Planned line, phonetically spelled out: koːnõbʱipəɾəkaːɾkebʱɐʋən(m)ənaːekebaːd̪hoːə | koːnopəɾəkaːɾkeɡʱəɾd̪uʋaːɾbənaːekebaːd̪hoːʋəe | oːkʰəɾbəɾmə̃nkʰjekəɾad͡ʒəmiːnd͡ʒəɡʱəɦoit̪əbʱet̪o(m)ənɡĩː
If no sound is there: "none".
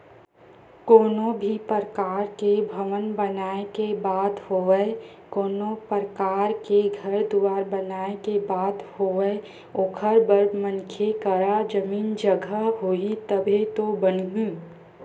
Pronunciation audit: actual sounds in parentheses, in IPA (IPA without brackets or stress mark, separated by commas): b, b